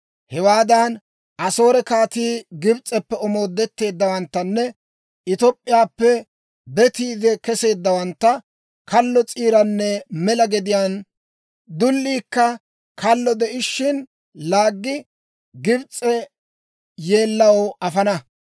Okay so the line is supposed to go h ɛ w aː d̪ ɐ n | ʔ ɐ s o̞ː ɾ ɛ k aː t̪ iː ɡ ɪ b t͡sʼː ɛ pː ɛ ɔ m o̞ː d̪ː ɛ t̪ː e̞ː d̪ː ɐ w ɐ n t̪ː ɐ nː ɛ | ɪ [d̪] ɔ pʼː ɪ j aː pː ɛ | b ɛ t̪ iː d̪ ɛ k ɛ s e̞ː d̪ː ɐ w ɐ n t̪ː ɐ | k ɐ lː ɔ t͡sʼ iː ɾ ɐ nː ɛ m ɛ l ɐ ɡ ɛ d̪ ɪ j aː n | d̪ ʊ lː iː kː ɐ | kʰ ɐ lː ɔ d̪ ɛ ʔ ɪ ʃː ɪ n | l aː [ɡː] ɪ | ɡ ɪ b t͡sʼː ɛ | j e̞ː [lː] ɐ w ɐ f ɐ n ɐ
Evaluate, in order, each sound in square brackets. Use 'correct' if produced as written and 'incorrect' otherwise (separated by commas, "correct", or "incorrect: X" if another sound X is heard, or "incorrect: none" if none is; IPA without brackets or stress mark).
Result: incorrect: t̪, correct, correct